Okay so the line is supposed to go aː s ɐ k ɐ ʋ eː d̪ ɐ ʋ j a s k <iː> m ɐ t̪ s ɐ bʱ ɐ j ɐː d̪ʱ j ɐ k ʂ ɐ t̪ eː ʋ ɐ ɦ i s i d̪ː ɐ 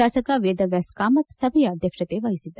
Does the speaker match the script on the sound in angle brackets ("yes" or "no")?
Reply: no